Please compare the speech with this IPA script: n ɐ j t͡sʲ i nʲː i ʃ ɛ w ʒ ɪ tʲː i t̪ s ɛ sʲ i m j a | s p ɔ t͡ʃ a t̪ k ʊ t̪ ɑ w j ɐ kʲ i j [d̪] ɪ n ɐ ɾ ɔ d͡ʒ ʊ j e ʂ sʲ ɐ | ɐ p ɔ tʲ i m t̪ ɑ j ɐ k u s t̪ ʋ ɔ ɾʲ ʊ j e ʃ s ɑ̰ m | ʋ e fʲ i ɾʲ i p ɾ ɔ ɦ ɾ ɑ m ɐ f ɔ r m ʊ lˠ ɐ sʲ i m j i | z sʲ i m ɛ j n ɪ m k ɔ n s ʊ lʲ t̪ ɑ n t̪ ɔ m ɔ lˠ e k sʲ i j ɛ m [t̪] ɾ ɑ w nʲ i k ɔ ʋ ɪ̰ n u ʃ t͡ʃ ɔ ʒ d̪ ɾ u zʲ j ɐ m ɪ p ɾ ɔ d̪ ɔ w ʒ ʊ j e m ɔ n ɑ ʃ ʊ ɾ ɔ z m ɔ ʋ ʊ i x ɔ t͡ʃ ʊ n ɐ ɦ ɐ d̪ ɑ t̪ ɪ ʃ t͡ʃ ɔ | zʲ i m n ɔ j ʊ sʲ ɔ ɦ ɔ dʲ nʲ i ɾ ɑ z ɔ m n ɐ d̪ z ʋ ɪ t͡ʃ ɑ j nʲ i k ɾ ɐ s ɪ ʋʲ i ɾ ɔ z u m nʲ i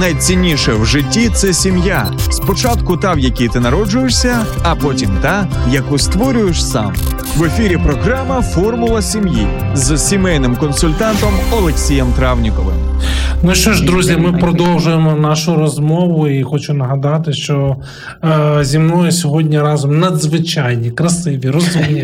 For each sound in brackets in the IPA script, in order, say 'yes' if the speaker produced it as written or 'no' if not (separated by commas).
no, yes